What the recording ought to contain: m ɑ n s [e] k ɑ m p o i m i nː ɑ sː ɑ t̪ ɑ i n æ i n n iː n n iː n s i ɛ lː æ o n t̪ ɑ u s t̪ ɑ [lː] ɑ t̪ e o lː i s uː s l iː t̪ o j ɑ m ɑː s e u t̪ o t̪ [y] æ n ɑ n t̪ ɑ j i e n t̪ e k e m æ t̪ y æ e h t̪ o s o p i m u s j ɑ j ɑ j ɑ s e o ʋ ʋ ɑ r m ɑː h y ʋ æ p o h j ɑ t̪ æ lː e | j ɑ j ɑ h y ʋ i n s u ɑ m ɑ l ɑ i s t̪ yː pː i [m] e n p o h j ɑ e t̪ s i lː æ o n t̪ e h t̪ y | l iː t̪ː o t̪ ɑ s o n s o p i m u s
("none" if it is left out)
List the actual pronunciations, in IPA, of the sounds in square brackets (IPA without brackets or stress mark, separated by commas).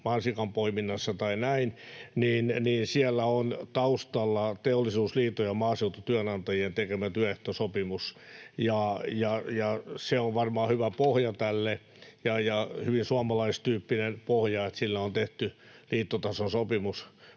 i, lː, y, n